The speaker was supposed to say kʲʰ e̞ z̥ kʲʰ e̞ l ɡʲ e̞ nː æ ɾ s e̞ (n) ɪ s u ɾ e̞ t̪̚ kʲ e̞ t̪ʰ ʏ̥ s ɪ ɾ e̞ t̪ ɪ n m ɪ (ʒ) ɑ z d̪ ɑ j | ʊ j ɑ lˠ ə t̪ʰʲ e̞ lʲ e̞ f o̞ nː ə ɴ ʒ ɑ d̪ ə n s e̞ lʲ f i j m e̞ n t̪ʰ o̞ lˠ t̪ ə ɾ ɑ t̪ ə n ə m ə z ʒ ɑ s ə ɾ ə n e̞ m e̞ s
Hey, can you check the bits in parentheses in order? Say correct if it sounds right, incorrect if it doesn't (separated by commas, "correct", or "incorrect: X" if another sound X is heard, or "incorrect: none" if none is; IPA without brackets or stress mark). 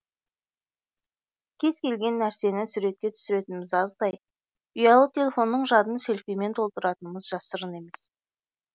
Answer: correct, incorrect: z